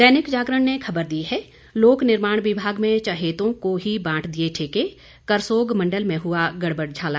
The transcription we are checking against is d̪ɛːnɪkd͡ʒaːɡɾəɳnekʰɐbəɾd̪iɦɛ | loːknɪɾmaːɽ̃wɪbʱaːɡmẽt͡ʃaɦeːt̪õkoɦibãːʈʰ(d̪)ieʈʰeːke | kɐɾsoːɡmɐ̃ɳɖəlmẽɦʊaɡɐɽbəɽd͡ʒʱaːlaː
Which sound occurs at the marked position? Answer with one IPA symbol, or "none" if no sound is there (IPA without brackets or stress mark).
d̪